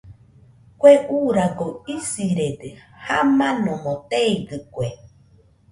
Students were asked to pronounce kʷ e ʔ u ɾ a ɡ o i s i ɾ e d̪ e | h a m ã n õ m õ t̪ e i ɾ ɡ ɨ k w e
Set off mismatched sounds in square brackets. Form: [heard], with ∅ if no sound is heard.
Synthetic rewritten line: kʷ e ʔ u ɾ a ɡ o i s i ɾ e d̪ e | h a m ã n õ m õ t̪ e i [∅] ɡ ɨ k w e